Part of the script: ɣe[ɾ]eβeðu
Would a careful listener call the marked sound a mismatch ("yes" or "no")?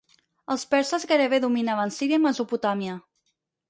no